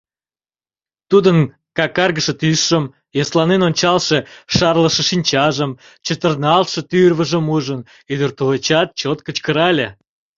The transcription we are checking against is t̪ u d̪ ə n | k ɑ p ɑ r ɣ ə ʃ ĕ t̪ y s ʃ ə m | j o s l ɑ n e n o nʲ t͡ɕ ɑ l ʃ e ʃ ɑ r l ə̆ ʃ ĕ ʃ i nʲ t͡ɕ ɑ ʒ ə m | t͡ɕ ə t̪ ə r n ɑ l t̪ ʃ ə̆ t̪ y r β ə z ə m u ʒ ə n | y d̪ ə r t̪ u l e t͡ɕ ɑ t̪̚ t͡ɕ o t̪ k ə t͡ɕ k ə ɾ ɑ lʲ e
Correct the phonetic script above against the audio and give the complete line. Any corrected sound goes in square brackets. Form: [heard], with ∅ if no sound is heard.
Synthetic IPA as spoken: t̪ u d̪ ə n | k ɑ [k] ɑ r ɣ ə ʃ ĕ t̪ y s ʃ ə m | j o s l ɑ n e n o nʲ t͡ɕ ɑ l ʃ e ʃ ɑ r l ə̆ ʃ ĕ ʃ i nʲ t͡ɕ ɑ ʒ ə m | t͡ɕ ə t̪ ə r n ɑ l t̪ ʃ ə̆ t̪ y r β ə [ʒ] ə m u ʒ ə n | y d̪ ə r t̪ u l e t͡ɕ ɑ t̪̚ t͡ɕ o t̪ k ə t͡ɕ k ə ɾ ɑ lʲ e